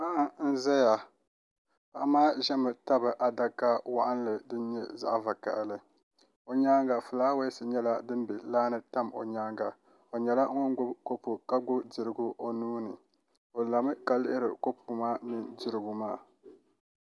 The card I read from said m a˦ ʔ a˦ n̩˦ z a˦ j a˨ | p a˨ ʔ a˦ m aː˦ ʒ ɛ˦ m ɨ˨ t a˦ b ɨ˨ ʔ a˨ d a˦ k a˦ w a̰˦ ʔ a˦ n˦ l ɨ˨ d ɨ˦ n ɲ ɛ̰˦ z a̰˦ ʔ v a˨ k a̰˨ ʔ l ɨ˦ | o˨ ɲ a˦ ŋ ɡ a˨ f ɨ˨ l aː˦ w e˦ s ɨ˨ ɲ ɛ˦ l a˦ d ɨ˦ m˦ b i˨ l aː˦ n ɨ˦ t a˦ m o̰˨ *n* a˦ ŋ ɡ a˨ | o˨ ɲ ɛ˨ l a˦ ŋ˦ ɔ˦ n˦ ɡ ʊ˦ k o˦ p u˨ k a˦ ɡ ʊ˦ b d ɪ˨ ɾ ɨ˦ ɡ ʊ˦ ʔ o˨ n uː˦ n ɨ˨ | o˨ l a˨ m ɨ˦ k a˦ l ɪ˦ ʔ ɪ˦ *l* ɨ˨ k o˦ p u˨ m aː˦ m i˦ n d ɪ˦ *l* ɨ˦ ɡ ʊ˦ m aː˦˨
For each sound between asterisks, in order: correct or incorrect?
incorrect, incorrect, incorrect

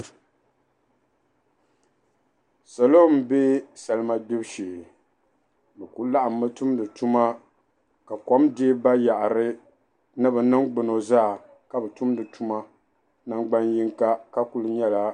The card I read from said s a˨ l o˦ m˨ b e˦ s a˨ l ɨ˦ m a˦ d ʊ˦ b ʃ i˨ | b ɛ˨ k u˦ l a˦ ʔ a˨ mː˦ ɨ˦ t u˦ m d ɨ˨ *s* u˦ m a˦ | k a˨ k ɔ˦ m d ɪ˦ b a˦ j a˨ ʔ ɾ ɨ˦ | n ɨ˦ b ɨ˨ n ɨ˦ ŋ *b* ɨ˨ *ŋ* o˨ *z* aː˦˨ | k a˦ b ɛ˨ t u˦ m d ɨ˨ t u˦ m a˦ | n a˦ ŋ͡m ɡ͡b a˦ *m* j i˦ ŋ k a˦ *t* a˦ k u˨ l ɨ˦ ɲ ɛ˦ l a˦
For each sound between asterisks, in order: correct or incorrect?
incorrect, incorrect, incorrect, correct, incorrect, incorrect

